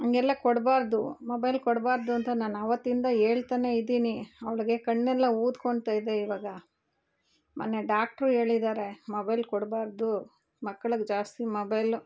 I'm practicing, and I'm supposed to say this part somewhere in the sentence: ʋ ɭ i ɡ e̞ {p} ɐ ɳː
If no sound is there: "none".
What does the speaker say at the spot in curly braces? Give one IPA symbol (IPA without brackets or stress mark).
k